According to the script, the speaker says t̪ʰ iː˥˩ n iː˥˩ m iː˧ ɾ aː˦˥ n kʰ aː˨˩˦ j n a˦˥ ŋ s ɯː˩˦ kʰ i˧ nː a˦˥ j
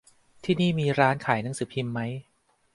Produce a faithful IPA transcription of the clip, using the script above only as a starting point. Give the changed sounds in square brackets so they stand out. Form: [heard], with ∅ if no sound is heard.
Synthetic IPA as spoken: t̪ʰ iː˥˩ n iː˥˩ m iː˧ ɾ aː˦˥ n kʰ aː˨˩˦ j n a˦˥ ŋ s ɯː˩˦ [pʰ] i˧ [mː] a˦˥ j